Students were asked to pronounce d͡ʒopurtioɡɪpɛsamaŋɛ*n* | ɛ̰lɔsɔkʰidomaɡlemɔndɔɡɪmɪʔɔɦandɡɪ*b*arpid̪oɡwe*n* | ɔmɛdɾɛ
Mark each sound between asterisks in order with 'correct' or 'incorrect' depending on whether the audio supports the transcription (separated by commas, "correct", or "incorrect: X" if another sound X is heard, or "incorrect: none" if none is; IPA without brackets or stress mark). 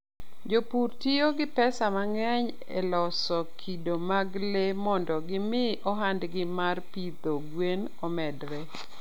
incorrect: ɲ, incorrect: m, correct